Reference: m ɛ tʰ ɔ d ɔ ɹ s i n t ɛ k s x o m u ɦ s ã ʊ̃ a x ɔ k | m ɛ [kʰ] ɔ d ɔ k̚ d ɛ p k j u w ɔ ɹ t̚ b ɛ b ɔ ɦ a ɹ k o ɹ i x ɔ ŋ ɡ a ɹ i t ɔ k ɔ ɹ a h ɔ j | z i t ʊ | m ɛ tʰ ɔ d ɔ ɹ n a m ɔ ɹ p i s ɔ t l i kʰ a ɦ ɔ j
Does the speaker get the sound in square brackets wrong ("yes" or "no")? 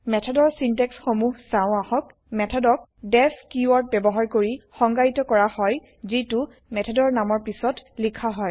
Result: yes